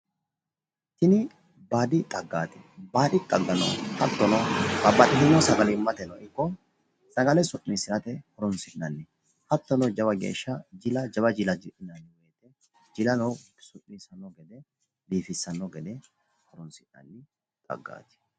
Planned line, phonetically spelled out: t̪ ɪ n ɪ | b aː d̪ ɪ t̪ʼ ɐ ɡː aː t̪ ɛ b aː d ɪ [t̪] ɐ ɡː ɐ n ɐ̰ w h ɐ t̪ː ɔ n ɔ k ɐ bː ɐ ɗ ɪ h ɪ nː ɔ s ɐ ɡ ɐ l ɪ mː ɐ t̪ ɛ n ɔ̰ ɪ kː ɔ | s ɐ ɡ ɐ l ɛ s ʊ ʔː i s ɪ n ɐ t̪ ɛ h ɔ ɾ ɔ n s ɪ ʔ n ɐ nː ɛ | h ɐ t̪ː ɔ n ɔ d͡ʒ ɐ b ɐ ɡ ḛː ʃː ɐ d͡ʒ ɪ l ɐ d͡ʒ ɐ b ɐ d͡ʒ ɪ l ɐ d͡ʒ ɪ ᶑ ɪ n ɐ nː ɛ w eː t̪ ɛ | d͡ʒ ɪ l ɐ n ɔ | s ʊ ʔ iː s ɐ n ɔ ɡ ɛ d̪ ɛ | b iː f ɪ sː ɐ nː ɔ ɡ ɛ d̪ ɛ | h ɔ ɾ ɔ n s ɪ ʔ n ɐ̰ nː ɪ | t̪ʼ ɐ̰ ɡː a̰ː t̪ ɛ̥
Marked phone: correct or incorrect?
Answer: incorrect: t̪ʼ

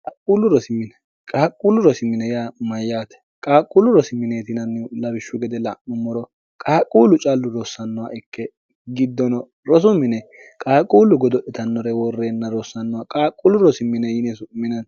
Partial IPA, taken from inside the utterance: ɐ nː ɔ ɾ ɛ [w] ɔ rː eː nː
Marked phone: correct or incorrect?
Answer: correct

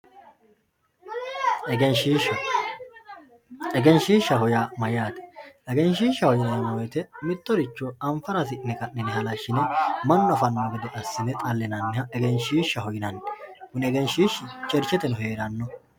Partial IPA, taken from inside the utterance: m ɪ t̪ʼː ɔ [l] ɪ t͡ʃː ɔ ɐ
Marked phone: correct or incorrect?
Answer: incorrect: ɾ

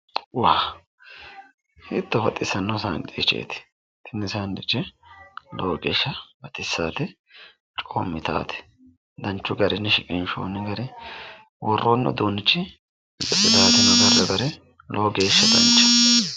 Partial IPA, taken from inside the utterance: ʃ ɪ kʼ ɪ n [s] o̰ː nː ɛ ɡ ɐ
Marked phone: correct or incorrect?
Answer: incorrect: ʃ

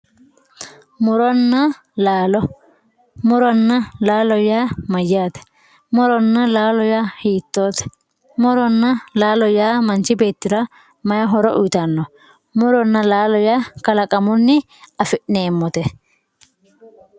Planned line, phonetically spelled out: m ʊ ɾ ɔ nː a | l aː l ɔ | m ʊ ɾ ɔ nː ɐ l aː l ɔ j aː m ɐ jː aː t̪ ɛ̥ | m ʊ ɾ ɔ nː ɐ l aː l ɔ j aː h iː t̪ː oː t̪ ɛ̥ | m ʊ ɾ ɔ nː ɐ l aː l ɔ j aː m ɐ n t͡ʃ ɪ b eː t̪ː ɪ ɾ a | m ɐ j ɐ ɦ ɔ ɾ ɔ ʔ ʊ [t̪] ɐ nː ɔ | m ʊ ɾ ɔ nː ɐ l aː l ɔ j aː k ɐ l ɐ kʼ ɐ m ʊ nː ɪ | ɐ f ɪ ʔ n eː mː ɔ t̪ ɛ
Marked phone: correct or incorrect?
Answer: correct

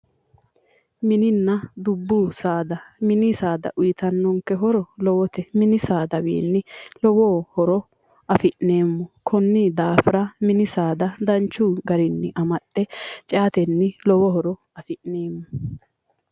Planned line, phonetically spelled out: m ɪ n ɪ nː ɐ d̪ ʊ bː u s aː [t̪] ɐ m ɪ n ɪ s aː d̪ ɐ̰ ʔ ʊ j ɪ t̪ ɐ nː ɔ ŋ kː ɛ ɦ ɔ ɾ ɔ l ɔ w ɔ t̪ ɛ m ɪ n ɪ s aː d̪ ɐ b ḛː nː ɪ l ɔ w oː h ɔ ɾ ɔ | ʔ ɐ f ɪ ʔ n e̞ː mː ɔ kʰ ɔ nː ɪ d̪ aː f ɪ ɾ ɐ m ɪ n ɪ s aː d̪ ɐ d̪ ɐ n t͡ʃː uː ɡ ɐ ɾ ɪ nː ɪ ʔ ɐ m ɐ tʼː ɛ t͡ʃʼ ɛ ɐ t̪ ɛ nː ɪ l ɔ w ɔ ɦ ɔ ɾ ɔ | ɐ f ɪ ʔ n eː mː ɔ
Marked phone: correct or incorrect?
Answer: incorrect: d̪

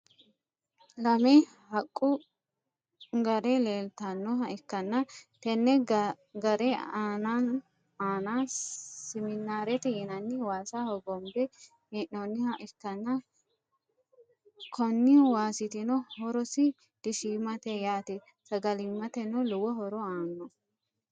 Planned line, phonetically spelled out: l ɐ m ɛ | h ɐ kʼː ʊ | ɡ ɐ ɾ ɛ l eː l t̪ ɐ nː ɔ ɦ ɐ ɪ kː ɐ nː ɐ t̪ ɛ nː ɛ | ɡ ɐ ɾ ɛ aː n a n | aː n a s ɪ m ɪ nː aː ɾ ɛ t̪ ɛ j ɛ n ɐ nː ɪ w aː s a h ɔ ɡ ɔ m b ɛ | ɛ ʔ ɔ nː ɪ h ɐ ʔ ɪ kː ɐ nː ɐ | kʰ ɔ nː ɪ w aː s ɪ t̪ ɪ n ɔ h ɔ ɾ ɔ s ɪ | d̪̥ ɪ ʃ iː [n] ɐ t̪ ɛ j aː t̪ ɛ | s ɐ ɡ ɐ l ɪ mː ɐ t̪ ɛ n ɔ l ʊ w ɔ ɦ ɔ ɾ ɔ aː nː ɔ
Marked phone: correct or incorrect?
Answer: incorrect: m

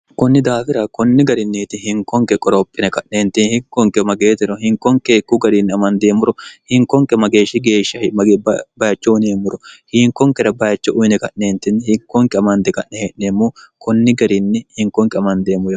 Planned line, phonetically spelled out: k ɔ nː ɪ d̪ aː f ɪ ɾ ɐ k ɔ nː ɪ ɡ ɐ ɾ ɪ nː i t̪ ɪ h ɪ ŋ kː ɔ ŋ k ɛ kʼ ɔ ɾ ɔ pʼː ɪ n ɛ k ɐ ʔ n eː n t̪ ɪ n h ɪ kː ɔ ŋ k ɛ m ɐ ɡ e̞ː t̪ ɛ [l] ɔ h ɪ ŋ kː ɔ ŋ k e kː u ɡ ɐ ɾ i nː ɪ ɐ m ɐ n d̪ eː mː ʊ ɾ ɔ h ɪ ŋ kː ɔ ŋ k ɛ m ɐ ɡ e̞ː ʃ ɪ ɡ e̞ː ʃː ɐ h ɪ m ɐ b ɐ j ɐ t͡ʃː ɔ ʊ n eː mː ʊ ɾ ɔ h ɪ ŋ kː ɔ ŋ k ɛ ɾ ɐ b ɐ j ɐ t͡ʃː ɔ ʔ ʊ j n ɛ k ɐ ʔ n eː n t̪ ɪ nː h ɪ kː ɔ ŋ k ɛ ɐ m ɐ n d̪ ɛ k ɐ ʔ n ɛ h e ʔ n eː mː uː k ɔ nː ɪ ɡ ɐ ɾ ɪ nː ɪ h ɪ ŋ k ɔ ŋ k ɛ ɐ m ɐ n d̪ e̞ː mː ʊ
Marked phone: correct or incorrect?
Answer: incorrect: ɾ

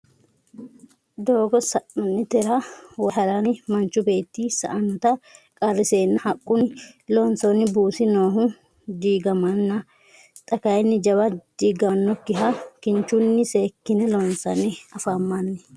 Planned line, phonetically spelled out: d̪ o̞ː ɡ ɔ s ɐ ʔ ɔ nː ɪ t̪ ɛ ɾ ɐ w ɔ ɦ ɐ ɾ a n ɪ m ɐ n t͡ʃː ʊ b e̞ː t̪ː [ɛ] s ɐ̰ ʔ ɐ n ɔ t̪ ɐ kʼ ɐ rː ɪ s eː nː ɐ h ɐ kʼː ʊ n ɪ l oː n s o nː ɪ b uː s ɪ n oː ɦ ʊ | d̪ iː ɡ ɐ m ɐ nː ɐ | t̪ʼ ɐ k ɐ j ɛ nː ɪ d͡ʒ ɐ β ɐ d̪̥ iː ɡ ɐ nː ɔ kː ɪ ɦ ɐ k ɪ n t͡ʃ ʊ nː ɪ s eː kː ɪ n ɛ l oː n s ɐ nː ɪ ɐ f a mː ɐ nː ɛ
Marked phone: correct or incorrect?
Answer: incorrect: i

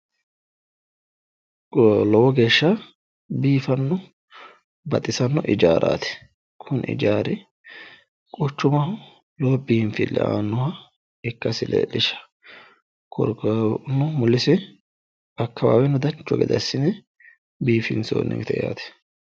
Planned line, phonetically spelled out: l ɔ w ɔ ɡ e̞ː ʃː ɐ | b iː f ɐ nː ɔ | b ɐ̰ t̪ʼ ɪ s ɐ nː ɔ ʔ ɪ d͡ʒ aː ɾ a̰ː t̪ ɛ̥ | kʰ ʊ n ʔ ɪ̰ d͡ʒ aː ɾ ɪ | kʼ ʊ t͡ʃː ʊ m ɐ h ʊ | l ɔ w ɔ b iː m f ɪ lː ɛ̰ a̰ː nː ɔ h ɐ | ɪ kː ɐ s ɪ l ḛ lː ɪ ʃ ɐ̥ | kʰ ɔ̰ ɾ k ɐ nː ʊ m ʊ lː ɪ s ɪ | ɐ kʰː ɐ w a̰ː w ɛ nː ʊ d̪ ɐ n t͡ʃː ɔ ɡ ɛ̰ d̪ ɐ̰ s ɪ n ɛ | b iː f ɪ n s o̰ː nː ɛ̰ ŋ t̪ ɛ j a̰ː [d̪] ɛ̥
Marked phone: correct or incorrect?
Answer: incorrect: t̪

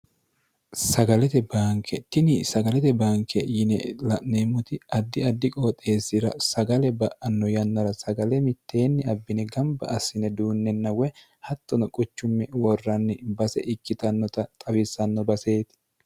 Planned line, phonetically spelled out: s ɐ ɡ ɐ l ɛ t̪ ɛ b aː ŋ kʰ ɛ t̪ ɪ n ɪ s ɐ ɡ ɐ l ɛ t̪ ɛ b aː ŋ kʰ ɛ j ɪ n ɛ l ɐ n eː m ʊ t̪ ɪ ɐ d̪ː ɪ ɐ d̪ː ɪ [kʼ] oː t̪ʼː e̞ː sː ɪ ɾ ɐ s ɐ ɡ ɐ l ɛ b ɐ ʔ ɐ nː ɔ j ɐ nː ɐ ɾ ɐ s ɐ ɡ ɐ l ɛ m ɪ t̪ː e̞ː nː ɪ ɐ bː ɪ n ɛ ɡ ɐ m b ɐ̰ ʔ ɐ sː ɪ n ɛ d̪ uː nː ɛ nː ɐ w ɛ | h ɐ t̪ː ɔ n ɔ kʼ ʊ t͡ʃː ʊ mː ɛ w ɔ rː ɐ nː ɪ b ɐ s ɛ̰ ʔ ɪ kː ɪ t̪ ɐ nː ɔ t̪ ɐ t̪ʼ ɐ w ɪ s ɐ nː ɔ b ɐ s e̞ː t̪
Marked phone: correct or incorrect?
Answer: correct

